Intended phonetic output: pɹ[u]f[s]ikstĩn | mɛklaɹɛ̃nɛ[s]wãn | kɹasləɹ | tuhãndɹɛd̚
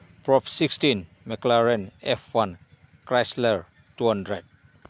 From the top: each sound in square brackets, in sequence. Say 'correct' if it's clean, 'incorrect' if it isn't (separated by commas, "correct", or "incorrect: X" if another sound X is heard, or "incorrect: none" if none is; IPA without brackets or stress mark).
incorrect: ɔ, correct, incorrect: f